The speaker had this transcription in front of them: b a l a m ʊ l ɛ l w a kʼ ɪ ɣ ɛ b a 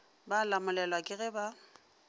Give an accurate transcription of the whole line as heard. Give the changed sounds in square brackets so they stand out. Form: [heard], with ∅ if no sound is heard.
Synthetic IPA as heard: b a l a m ʊ l ɛ l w a kʼ ɪ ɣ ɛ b a